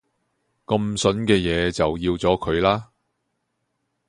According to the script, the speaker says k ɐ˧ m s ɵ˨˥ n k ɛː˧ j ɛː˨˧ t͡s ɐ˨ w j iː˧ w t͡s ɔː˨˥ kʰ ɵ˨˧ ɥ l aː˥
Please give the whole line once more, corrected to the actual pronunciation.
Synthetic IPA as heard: k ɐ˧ m s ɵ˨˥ n k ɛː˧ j ɛː˨˧ t͡s ɐ˨ w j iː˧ w t͡s ɔː˨˥ kʰ ɵ˨˧ ɥ l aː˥